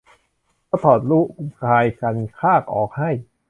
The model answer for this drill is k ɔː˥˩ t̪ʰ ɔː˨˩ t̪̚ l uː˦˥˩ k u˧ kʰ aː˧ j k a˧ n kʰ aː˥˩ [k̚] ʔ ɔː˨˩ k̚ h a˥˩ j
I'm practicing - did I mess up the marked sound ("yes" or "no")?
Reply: no